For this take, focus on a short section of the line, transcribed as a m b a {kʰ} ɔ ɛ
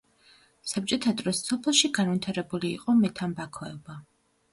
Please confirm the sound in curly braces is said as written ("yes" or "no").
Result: yes